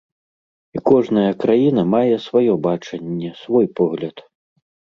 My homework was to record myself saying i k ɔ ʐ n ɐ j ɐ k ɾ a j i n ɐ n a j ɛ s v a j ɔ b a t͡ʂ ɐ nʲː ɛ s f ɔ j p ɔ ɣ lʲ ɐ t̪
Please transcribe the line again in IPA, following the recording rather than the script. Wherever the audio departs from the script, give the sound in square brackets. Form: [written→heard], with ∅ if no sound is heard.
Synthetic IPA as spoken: i k ɔ ʐ n ɐ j ɐ k ɾ a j i n ɐ [n→m] a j ɛ s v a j ɔ b a t͡ʂ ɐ nʲː ɛ s [f→v] ɔ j p ɔ ɣ lʲ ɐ t̪